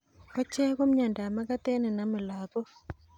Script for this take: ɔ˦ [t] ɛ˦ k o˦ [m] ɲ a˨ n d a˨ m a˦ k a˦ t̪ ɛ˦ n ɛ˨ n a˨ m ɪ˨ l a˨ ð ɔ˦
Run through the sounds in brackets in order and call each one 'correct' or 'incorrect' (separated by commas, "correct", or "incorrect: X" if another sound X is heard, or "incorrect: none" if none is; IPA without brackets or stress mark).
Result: incorrect: t͡ʃ, correct